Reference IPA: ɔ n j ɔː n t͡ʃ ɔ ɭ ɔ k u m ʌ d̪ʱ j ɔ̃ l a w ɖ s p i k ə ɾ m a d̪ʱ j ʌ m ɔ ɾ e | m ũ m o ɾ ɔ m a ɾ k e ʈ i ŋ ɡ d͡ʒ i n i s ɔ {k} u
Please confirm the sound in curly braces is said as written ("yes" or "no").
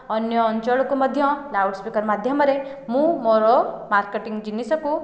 yes